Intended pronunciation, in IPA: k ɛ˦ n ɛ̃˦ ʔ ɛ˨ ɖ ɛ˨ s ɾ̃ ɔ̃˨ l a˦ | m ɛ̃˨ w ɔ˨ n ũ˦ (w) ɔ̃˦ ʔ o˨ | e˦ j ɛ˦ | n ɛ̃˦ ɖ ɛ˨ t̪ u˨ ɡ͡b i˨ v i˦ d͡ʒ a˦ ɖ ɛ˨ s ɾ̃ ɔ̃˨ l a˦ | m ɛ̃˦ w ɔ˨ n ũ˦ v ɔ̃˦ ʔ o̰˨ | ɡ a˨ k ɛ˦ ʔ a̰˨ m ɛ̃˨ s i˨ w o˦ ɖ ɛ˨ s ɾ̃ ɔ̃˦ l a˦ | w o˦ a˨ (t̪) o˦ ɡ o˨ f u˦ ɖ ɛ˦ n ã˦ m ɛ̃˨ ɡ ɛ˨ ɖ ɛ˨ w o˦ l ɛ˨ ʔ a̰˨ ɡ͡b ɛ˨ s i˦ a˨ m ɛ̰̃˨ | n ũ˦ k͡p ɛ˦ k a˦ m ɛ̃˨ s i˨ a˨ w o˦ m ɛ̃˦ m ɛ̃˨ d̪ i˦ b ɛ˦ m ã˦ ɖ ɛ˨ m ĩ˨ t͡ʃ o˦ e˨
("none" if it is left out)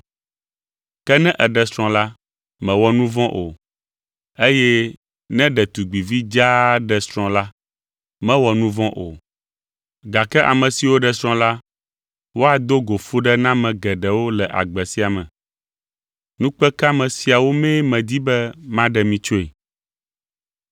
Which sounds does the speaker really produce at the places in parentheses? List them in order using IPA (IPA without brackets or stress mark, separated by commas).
v, d̪